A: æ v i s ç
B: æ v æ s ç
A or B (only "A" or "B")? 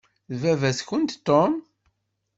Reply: B